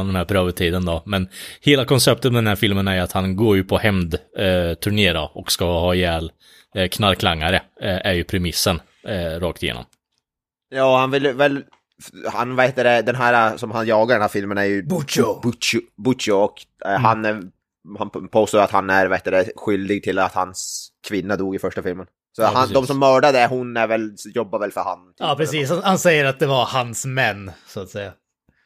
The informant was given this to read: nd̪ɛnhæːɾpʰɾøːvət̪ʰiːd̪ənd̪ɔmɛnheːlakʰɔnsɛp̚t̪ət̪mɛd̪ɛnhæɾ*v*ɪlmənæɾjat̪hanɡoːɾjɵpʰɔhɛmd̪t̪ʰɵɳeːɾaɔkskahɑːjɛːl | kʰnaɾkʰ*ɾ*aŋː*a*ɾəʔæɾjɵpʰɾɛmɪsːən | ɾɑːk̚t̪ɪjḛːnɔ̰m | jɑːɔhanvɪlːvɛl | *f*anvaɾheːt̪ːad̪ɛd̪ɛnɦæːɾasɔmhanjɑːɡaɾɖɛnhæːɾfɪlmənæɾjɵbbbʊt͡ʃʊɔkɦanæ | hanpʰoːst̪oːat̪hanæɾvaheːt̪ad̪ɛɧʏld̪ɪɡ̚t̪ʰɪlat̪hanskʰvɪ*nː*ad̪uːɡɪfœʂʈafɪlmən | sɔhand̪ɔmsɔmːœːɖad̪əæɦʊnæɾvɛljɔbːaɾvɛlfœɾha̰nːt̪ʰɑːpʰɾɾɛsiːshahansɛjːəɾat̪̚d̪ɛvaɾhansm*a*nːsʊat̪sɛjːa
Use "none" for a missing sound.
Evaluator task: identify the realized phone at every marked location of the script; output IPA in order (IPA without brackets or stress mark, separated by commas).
f, l, a, h, nː, ɛ